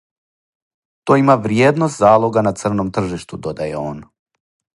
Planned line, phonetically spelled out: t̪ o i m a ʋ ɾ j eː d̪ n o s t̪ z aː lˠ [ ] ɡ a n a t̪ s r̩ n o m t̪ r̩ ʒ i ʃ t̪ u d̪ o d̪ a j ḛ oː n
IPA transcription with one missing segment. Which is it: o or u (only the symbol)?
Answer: o